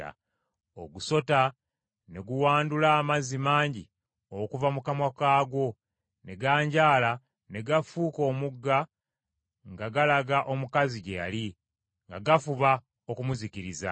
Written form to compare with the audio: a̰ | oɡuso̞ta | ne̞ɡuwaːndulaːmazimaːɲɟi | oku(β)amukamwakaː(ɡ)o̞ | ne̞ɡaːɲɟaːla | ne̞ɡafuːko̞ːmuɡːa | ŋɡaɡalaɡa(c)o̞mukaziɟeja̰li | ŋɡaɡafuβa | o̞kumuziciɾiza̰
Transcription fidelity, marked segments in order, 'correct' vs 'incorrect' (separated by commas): incorrect, correct, incorrect